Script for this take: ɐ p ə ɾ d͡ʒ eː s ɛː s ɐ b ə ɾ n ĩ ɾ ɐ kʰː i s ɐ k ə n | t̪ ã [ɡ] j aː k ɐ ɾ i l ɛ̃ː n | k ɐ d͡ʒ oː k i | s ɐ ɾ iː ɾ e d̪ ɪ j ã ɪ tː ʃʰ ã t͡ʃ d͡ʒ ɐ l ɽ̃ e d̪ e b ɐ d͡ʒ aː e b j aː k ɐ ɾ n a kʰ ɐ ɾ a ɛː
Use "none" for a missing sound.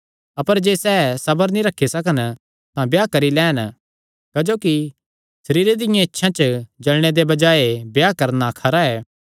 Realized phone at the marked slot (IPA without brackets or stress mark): b